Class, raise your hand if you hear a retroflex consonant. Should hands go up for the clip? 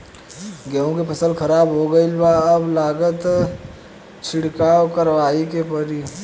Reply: yes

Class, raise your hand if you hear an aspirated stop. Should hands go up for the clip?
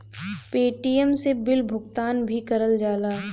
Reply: no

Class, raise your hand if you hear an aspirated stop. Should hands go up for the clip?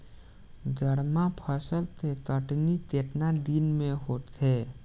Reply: yes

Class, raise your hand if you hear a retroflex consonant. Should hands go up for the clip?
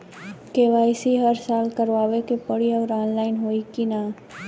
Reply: yes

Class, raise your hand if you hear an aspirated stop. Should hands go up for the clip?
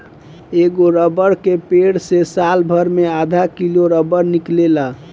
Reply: no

